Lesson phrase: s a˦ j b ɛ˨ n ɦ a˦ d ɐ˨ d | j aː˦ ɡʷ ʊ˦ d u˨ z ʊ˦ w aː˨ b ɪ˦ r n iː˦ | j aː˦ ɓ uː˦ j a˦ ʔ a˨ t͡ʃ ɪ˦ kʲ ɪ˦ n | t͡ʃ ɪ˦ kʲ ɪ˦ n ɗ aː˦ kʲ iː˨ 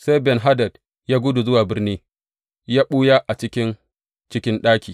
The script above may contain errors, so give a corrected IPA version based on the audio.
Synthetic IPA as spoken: s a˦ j b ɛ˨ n ɦ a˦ d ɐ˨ d | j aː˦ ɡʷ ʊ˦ d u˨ z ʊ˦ w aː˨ b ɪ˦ r n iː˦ | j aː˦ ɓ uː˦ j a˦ ʔ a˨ t͡ʃ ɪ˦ kʲ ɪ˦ n | t͡ʃ ɪ˦ kʲ ɪ˦ n ɗ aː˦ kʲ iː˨